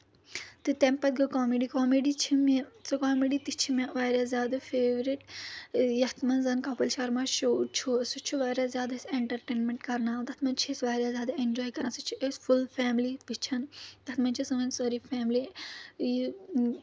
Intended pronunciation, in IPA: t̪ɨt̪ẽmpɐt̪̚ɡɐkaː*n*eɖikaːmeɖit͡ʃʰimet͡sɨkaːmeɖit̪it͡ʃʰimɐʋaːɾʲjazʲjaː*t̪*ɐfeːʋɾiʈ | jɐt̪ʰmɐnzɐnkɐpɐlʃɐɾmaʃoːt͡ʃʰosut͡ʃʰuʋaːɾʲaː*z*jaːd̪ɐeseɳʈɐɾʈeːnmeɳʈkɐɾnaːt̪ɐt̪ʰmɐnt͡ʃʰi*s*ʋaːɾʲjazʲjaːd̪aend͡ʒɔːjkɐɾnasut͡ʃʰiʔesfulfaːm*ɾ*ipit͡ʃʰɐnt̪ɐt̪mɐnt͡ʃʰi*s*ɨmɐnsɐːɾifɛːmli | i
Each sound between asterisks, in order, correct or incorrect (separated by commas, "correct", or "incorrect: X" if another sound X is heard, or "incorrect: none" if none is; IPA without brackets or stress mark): incorrect: m, incorrect: d̪, correct, correct, incorrect: l, correct